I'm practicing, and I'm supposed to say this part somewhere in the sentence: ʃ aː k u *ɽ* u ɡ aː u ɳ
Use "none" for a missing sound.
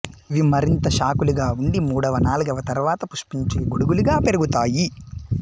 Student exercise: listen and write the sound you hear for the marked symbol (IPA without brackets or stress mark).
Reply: l